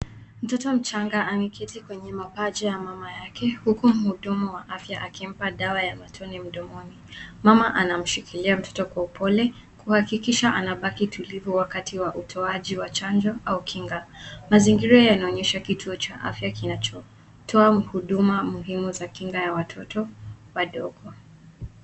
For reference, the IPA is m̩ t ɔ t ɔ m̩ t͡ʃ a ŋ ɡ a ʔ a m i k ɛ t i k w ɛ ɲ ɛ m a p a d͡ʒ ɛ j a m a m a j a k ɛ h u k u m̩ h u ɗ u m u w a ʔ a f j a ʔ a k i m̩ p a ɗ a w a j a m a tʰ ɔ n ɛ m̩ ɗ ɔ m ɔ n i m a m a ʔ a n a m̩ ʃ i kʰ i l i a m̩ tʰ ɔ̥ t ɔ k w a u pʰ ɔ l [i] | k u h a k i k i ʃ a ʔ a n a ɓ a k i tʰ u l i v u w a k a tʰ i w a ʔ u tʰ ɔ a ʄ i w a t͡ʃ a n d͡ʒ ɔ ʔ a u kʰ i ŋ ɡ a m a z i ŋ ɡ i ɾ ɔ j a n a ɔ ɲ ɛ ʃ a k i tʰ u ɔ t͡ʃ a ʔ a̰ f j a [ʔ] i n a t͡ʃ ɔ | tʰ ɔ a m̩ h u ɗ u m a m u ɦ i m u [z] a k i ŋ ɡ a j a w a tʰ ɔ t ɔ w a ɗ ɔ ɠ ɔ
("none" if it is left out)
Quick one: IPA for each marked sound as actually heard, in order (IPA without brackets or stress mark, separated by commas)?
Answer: ɛ, k, z